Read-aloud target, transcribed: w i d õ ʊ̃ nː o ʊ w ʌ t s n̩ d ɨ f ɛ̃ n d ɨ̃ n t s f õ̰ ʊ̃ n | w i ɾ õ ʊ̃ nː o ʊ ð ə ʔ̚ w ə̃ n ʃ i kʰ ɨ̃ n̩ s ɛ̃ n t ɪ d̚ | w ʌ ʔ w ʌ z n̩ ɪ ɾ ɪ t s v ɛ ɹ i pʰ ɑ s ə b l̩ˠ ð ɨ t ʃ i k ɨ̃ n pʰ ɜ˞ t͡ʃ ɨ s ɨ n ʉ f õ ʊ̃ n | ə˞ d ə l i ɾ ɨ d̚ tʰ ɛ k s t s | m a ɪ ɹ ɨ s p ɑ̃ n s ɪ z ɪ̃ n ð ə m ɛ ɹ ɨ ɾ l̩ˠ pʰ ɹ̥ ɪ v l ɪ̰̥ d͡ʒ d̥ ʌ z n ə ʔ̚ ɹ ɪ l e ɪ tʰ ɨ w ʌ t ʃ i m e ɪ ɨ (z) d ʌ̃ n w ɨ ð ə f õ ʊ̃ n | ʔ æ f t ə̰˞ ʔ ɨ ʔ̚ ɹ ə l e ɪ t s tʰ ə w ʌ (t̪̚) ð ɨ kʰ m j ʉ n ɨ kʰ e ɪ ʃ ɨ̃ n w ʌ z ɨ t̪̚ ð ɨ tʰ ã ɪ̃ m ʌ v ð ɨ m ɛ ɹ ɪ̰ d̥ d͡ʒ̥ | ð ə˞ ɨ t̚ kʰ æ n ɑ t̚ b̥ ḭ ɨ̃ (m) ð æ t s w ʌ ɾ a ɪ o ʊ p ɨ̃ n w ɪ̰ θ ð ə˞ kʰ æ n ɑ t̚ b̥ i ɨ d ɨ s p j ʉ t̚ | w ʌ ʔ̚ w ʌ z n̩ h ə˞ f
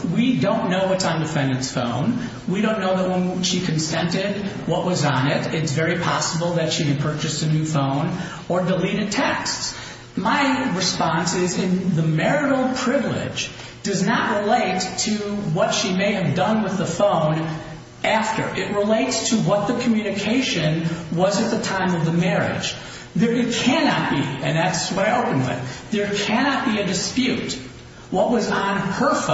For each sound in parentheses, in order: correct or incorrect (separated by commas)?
incorrect, correct, incorrect